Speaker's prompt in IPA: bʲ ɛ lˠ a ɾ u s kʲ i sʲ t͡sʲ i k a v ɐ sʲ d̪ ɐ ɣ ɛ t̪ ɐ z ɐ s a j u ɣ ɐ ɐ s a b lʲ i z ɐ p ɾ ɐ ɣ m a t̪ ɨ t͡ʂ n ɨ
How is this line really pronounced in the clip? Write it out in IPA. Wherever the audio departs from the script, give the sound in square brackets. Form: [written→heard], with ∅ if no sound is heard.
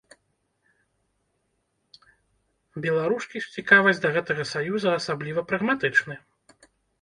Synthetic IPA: bʲ ɛ lˠ a ɾ u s kʲ i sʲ t͡sʲ i k a v ɐ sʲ d̪ ɐ ɣ ɛ t̪ ɐ [z→ɣ] ɐ s a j u [ɣ→z] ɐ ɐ s a b lʲ i [z→v] ɐ p ɾ ɐ ɣ m a t̪ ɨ t͡ʂ n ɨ